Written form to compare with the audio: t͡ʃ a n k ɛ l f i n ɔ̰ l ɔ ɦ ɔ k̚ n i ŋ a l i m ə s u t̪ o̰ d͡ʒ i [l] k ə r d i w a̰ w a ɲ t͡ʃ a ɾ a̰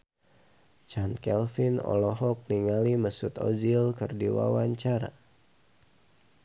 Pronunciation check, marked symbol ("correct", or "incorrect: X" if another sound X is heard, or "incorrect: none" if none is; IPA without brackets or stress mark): correct